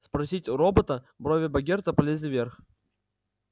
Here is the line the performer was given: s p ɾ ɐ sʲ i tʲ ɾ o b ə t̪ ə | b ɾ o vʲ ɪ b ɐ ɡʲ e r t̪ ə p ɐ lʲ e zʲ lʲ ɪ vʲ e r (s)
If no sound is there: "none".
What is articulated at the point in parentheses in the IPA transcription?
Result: x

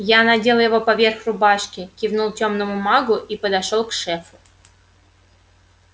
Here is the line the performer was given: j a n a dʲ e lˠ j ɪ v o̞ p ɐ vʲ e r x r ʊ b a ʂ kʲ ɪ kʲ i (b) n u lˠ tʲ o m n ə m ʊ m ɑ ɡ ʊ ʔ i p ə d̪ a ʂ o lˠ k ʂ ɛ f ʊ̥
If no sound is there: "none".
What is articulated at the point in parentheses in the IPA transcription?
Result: v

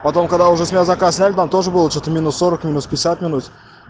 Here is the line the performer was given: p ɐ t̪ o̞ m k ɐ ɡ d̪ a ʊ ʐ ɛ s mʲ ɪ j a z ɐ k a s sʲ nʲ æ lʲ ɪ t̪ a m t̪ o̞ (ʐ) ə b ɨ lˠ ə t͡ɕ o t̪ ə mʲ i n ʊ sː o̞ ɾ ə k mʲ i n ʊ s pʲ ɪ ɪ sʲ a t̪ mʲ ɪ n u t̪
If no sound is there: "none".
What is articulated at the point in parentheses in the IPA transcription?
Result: ʐ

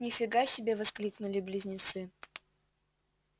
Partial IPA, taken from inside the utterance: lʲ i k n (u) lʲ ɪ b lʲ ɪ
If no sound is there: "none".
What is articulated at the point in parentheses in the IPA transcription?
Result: ʊ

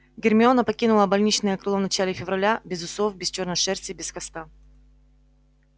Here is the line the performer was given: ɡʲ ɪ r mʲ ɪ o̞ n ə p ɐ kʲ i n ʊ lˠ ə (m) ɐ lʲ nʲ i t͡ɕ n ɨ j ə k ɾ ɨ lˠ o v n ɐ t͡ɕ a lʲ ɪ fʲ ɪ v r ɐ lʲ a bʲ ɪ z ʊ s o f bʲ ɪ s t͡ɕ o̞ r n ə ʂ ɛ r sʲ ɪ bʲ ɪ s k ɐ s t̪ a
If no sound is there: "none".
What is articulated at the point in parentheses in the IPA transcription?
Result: b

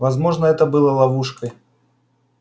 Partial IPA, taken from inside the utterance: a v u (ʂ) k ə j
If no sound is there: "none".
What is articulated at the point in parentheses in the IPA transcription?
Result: ʂ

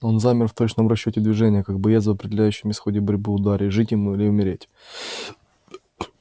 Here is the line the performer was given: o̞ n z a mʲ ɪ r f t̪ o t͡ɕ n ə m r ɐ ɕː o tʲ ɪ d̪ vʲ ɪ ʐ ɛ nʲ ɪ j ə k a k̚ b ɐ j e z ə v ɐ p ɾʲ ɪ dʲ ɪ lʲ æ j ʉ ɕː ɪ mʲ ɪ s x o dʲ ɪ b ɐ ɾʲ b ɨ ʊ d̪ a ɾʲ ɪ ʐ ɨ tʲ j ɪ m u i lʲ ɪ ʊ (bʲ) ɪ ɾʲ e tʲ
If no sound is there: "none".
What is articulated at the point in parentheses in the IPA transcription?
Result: mʲ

